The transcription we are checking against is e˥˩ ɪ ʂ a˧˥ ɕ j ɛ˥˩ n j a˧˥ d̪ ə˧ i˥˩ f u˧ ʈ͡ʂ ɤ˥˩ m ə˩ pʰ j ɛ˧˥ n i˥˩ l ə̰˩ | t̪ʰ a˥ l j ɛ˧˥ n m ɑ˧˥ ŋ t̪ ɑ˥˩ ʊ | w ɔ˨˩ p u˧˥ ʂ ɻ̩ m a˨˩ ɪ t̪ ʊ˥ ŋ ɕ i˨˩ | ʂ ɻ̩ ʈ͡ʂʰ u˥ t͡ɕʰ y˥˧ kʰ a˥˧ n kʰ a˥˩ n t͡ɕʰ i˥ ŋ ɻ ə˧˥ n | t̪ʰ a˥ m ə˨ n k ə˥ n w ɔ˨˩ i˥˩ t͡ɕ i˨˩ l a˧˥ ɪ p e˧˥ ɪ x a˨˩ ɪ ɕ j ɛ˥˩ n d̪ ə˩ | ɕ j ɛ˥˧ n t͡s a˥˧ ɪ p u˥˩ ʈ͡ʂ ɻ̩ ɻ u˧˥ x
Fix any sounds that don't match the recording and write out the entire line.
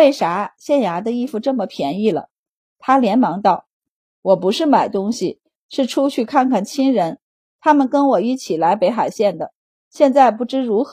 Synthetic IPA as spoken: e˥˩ ɪ ʂ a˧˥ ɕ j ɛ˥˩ n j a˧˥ d̪ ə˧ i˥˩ f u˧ ʈ͡ʂ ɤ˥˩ m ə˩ pʰ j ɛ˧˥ n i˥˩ l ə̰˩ | t̪ʰ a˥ l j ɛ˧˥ n m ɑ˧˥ ŋ t̪ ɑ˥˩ ʊ | w ɔ˨˩ p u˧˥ ʂ ɻ̩ m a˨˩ ɪ t̪ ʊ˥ ŋ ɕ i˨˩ | ʂ ɻ̩ ʈ͡ʂʰ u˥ t͡ɕʰ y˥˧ kʰ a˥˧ n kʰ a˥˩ n t͡ɕʰ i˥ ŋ ɻ ə˧˥ n | t̪ʰ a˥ m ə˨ n k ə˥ n w ɔ˨˩ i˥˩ t͡ɕʰ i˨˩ l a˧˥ ɪ p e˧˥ ɪ x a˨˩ ɪ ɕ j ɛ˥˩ n d̪ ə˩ | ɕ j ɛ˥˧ n t͡s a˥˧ ɪ p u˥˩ ʈ͡ʂ ɻ̩ ɻ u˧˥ x